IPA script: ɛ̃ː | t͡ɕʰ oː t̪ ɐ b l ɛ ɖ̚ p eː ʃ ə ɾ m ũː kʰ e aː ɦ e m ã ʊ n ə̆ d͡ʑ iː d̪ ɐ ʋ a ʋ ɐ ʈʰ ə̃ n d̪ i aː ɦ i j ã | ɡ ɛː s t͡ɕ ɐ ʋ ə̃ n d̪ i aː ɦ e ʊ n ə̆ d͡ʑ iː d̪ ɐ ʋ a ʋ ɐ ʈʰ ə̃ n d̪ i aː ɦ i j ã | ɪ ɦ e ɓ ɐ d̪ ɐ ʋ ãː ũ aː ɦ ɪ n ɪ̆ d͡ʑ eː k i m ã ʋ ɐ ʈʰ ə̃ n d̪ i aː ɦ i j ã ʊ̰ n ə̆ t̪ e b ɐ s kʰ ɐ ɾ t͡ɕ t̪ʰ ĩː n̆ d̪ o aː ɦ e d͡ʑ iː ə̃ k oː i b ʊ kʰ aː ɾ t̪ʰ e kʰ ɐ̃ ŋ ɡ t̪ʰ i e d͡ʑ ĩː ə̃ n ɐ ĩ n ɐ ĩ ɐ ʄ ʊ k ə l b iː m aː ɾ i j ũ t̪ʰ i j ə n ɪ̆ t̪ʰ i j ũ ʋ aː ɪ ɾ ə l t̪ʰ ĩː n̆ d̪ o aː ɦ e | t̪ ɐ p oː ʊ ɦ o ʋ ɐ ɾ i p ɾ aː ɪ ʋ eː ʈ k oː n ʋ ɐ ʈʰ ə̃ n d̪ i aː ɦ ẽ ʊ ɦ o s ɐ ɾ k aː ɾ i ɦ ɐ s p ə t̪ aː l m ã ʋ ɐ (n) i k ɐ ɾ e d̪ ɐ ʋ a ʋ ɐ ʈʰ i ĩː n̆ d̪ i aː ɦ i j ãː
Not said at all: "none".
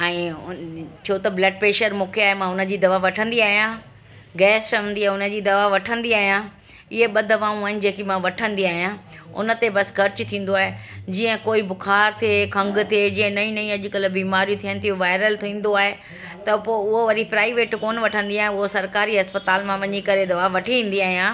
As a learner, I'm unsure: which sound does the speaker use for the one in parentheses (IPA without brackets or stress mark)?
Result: ɲ